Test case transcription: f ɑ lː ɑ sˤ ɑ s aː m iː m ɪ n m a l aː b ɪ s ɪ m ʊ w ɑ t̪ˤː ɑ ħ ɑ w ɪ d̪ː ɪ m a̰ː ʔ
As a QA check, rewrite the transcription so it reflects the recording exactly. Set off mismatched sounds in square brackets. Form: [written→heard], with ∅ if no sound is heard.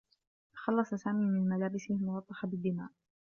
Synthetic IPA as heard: [f→x] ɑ lː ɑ sˤ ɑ s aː m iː m ɪ n m a l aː b ɪ s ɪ m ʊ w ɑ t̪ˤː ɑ ħ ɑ [w→b] ɪ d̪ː ɪ m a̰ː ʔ